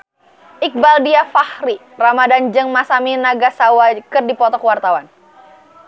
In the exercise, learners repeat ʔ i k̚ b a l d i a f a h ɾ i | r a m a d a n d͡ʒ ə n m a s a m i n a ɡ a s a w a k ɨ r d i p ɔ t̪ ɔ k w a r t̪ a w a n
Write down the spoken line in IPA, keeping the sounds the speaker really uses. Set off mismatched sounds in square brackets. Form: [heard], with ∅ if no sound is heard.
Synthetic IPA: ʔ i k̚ b a l d i a f a h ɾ i | r a m a d a n d͡ʒ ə [ŋ] m a s a m i n a ɡ a s a w a k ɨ r d i p ɔ t̪ ɔ k w a r t̪ a w a n